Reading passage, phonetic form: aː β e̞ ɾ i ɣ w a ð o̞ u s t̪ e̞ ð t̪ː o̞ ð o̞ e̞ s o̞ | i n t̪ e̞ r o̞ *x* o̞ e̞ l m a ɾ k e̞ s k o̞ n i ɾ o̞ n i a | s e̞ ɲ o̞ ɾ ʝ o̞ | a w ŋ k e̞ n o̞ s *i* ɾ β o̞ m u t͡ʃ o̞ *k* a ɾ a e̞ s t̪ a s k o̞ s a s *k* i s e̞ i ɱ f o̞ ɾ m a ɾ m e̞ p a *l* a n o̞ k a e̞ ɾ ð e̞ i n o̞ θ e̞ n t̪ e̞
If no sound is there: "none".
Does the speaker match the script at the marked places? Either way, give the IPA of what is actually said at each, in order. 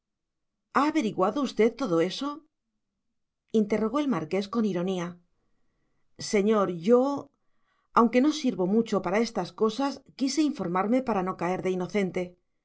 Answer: ɣ, i, p, k, ɾ

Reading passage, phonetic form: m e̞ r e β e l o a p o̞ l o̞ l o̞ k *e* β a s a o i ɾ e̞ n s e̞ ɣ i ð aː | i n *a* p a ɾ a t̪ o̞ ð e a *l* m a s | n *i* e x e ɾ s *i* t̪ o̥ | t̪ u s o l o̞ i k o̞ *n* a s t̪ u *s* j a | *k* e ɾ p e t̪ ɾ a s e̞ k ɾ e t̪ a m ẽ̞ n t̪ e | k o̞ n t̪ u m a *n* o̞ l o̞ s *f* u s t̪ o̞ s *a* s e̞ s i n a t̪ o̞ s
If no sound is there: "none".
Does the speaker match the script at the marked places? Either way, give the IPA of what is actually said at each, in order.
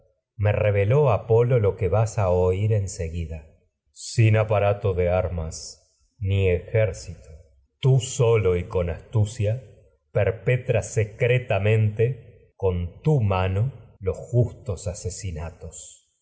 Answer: e, a, ɾ, i, i, n, s, p, n, x, a

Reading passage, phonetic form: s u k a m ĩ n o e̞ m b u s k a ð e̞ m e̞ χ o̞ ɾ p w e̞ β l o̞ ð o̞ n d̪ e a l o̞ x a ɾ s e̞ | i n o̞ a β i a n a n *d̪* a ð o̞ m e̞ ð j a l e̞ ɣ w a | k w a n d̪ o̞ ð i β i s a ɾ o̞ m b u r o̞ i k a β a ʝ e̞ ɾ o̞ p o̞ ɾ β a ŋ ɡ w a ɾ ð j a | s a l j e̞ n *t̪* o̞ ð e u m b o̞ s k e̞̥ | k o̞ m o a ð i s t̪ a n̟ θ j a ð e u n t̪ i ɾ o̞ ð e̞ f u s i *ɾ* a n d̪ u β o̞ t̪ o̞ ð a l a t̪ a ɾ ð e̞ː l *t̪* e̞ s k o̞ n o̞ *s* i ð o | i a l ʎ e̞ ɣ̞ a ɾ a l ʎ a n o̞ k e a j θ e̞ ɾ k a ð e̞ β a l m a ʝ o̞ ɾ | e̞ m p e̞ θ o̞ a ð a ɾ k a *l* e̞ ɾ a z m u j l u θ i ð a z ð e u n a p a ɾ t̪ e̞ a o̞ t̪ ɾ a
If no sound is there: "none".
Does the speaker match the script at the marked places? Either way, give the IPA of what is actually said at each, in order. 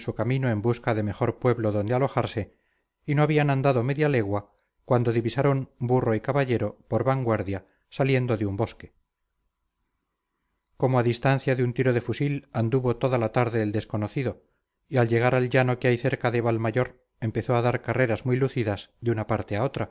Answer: d̪, d̪, l, d̪, θ, r

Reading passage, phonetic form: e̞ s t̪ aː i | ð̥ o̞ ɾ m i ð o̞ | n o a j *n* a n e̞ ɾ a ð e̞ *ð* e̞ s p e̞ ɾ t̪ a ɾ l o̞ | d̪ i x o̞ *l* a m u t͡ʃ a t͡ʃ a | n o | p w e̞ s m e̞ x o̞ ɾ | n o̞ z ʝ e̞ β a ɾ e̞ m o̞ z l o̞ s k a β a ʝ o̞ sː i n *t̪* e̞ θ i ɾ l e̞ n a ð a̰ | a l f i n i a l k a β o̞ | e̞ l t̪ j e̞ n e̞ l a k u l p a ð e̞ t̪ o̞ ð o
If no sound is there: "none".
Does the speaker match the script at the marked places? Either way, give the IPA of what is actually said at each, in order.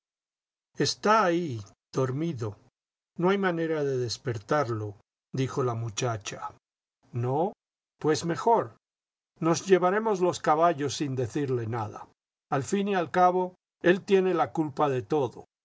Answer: m, ð, l, d̪

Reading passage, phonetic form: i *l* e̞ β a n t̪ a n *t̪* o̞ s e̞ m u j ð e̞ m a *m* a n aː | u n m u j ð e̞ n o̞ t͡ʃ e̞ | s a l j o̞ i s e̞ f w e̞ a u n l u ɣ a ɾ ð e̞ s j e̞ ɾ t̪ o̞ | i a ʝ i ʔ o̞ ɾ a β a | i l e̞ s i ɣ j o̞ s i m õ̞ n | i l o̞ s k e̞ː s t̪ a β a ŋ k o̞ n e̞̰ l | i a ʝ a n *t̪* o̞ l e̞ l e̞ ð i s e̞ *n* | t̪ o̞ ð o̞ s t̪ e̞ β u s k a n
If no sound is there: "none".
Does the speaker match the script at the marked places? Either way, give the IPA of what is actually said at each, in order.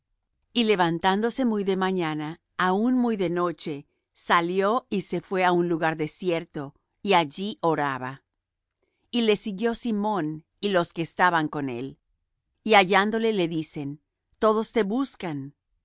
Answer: l, d̪, ɲ, d̪, n

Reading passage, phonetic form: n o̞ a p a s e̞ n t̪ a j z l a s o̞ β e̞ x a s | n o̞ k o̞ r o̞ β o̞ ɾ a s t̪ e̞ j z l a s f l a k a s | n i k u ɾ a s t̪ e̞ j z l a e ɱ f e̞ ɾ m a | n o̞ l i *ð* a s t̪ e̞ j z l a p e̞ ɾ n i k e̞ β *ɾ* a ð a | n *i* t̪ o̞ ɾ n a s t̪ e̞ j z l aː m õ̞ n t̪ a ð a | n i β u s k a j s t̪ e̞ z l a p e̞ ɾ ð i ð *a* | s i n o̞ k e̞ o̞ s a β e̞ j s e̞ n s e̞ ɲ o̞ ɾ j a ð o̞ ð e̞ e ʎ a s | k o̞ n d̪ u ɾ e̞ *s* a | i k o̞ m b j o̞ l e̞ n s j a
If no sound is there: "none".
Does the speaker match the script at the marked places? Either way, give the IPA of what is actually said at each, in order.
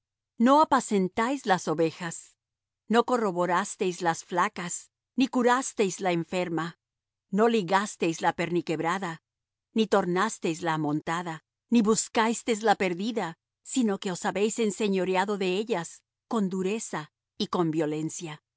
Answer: ɣ, ɾ, i, a, s

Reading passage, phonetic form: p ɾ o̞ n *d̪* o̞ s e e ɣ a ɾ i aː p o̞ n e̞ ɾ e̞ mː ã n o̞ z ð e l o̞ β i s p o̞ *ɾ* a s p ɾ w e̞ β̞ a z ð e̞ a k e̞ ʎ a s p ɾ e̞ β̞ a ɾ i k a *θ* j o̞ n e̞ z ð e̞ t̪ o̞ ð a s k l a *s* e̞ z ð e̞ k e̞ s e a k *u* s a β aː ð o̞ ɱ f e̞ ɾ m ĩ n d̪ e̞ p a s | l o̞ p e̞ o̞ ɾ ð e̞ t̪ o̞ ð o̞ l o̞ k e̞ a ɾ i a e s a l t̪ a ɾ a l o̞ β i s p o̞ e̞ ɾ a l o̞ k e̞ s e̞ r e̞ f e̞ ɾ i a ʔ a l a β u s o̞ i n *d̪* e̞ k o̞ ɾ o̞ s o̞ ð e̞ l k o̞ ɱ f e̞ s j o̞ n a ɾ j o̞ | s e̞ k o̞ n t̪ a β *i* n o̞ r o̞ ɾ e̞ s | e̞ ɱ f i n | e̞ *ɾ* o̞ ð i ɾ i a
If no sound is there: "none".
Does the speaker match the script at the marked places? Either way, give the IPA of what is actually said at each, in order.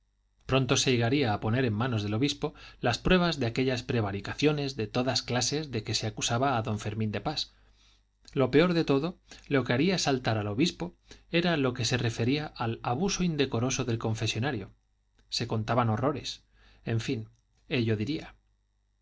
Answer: t̪, l, θ, s, u, d̪, a, ʎ

